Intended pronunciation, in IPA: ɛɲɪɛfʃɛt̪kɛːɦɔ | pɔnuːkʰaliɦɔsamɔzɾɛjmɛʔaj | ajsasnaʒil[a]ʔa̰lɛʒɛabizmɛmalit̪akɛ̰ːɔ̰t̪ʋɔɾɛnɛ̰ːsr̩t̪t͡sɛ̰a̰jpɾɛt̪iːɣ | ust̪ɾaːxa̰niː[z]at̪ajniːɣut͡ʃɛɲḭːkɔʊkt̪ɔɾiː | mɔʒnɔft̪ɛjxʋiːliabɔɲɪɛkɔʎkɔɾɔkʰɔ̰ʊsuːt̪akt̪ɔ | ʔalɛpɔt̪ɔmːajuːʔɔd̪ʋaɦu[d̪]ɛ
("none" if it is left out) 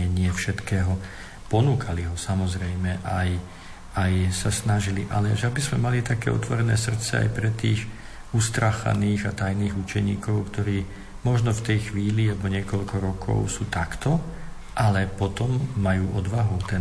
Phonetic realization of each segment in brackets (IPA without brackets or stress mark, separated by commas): i, ɣ, t̪